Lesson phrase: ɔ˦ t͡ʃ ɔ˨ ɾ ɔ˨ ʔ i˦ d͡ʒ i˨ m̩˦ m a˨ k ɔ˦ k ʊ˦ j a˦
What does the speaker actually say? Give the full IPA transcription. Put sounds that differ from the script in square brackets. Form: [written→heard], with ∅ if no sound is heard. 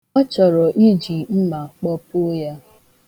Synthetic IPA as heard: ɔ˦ t͡ʃ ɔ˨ ɾ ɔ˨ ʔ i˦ d͡ʒ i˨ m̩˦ m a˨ [k→k͡p] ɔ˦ [k→p] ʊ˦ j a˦